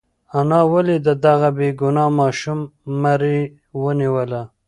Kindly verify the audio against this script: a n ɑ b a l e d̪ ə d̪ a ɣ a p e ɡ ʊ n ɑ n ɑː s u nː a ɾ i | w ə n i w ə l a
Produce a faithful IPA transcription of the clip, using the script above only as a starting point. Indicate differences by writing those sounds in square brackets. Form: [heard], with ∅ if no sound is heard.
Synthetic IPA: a n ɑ [w] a l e d̪ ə d̪ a ɣ a [b] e ɡ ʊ n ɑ [m] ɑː [ʃ] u [mː] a ɾ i | w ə n i w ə l a